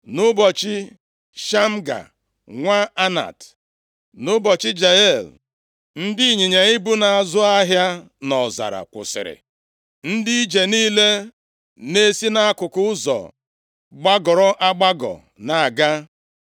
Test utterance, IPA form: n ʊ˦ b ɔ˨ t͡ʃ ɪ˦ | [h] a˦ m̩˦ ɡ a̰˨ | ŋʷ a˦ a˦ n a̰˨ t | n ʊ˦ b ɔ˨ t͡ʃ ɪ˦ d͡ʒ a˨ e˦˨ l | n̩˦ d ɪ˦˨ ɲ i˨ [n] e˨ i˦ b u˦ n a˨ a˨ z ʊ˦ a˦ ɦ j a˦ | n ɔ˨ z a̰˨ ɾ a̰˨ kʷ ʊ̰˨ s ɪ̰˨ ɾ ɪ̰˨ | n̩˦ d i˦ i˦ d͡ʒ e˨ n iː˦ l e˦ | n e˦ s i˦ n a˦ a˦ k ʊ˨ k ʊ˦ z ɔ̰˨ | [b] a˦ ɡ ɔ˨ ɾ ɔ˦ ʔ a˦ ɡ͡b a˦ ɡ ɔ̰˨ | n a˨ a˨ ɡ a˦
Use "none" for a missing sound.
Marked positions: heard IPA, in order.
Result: ʃ, ɲ, ɡ͡b

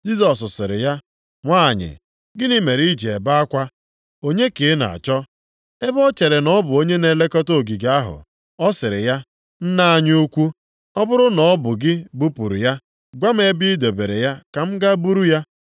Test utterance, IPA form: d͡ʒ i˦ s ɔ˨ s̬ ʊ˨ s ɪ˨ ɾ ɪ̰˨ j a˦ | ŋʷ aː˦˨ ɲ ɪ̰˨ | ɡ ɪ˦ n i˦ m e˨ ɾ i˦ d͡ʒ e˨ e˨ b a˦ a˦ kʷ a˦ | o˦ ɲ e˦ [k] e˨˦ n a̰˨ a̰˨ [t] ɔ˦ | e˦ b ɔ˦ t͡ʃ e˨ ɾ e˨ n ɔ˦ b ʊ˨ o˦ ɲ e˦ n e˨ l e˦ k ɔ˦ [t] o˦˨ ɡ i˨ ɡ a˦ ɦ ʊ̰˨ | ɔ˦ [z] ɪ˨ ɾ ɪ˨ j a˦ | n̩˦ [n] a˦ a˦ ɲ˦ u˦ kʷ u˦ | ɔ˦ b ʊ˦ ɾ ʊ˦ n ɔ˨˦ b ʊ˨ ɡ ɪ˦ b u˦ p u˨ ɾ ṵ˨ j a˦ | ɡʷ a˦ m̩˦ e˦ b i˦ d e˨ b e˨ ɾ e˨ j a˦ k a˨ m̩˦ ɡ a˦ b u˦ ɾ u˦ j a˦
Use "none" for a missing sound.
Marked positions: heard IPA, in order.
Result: k, t͡ʃ, t, s, n

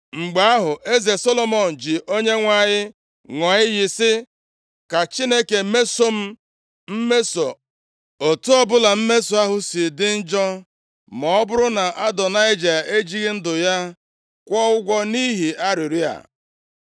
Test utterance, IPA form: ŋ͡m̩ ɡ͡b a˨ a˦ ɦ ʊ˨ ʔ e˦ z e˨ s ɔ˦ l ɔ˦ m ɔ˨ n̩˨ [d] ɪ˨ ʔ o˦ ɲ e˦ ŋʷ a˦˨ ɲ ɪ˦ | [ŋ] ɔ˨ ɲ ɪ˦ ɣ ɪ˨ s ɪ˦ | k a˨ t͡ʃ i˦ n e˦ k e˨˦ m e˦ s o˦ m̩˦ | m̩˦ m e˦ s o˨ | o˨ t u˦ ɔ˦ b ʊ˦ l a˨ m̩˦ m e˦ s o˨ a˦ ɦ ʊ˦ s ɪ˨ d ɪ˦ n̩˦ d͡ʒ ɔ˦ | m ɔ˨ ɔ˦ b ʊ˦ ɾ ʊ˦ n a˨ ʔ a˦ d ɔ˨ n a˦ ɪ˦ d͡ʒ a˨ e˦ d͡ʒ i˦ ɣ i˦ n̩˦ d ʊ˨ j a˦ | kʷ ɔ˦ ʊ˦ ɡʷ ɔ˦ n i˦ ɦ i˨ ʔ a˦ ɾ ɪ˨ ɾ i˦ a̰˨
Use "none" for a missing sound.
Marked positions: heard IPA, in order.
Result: d͡ʒ, ŋ

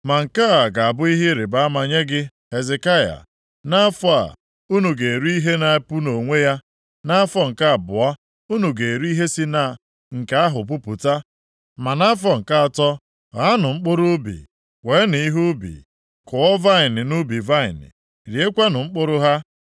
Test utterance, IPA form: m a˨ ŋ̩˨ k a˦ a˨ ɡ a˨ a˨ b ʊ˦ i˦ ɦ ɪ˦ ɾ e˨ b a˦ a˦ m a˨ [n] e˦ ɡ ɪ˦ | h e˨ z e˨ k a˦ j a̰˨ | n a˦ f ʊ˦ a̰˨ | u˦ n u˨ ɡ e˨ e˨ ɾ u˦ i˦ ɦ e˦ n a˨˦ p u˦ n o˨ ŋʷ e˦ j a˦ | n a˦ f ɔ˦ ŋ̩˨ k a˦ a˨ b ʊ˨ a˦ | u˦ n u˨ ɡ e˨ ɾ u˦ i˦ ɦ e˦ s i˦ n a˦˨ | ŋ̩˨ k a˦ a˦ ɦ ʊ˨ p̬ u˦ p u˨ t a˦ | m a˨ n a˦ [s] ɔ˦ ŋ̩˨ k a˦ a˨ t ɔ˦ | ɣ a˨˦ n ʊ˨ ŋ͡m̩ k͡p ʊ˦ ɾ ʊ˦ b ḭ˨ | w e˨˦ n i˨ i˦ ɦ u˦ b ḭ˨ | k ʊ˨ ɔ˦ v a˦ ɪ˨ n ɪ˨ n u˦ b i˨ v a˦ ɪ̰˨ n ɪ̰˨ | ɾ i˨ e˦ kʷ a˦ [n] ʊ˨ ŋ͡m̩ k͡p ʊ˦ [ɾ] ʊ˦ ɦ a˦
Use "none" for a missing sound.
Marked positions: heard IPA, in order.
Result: ɲ, f, n, ɾ

